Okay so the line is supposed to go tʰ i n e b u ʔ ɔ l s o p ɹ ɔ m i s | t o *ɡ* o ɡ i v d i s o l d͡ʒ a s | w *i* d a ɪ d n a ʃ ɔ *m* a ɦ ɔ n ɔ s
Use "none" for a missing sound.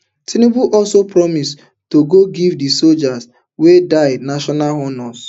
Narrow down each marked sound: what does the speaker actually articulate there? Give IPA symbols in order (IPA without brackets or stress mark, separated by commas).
ɡ, e, n